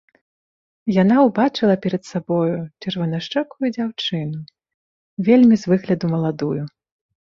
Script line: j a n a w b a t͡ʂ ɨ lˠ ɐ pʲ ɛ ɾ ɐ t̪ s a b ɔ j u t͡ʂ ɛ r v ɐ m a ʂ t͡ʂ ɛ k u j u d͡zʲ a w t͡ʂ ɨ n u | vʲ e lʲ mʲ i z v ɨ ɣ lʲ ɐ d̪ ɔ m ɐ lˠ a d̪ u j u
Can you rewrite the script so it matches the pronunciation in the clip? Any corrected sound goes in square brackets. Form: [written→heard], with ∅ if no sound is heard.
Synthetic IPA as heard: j a n a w b a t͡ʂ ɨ lˠ ɐ pʲ ɛ ɾ ɐ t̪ s a b ɔ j u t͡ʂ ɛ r v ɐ [m→n] a ʂ t͡ʂ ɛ k u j u d͡zʲ a w t͡ʂ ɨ n u | vʲ e lʲ mʲ i z v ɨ ɣ lʲ ɐ d̪ [ɔ→u] m ɐ lˠ a d̪ u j u